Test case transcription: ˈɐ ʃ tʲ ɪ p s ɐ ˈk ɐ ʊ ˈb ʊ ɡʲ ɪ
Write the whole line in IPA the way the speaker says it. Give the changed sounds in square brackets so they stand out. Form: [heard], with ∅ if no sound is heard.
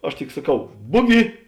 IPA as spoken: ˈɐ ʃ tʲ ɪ [k] s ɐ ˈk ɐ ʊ ˈb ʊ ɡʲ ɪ